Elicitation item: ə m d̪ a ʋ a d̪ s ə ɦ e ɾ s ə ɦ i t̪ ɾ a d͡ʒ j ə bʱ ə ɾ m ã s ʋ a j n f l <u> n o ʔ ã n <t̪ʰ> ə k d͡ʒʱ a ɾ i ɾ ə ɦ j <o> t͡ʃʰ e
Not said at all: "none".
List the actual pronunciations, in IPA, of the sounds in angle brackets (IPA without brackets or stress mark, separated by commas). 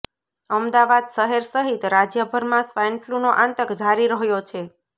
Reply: u, t̪, o